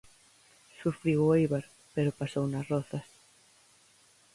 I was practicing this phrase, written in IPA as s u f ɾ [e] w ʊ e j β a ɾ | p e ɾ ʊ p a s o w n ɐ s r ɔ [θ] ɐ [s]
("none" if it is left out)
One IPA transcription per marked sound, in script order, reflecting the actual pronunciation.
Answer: i, θ, s

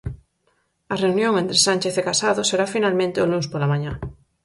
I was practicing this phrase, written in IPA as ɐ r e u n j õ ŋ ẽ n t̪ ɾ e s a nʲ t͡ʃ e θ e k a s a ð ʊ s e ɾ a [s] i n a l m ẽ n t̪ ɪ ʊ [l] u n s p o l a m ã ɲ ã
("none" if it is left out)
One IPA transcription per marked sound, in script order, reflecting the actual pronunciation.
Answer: f, l

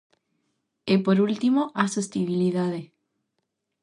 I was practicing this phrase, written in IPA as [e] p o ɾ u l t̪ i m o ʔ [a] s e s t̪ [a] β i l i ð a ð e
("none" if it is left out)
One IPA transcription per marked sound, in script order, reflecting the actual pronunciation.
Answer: e, a, i

